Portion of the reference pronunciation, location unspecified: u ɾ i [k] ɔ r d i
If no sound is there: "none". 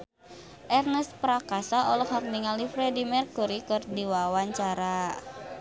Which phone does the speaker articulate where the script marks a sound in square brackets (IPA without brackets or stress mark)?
k